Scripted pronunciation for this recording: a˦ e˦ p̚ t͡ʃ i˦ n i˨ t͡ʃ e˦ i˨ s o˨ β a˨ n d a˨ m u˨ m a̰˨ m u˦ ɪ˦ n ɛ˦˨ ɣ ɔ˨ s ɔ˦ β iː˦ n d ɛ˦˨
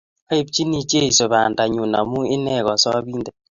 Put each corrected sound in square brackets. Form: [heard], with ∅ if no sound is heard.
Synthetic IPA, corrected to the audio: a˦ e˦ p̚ t͡ʃ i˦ n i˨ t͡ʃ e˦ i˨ s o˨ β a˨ n d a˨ [ɲ] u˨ [n] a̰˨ m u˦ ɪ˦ n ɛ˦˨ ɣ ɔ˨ s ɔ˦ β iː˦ n d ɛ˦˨